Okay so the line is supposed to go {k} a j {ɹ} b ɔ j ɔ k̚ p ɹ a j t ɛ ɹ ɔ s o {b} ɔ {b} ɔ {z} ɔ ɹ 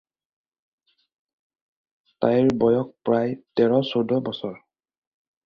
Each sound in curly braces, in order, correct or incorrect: incorrect, correct, incorrect, correct, incorrect

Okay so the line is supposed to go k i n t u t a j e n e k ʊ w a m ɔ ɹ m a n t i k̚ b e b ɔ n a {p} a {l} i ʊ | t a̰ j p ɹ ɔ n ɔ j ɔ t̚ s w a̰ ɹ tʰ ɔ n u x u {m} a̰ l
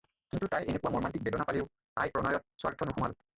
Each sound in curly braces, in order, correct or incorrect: correct, correct, correct

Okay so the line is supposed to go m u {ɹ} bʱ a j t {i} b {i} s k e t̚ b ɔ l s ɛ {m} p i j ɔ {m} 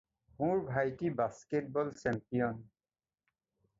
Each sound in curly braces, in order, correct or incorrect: correct, correct, incorrect, correct, incorrect

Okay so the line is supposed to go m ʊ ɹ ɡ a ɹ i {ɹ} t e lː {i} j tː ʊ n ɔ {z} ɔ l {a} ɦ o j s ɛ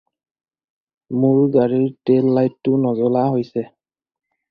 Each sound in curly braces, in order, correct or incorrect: correct, incorrect, correct, correct

